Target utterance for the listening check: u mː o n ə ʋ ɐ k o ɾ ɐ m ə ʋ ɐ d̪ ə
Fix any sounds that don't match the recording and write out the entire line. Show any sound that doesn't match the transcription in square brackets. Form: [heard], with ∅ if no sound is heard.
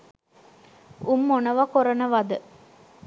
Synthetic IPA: u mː o n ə ʋ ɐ k o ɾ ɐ [n] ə ʋ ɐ d̪ ə